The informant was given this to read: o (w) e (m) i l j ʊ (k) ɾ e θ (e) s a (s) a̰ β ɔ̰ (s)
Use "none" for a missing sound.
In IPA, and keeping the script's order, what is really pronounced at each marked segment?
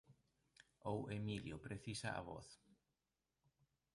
w, m, p, i, none, θ

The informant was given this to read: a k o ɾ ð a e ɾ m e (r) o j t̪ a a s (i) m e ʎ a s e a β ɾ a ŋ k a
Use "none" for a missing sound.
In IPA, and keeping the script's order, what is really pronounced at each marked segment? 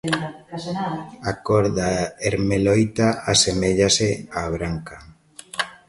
l, e

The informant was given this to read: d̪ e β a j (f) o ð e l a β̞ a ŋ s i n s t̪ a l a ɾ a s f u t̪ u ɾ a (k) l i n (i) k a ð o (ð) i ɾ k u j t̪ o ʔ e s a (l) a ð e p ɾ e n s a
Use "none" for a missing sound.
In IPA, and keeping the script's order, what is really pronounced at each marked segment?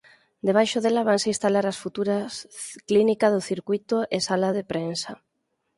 ʃ, k, i, θ, l

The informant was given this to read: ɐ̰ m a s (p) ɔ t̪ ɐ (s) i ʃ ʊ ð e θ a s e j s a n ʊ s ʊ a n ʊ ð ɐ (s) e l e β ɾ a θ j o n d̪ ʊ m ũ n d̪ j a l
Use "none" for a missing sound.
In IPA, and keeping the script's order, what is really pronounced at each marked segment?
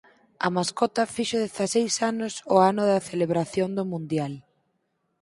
k, f, θ

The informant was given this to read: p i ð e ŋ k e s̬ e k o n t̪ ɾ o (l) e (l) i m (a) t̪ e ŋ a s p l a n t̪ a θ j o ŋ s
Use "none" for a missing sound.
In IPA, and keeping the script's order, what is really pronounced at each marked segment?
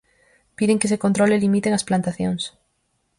l, l, i

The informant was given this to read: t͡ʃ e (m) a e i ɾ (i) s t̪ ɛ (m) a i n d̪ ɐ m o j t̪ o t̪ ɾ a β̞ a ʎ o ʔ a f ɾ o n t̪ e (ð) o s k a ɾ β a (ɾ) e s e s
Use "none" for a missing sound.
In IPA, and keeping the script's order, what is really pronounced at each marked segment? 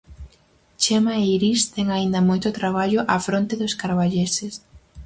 m, i, ŋ, ð, ʎ

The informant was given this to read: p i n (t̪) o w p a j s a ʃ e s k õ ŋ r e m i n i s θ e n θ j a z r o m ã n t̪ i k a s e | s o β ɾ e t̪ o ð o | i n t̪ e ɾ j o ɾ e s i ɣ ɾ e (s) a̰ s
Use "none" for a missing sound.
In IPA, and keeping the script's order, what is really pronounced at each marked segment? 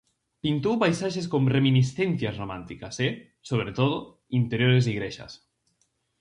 t̪, ʃ

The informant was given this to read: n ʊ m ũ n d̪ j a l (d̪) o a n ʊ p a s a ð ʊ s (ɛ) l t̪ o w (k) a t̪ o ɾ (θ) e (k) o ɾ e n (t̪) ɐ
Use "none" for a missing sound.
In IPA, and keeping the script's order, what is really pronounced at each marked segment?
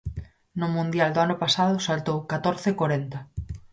d̪, a, k, θ, k, t̪

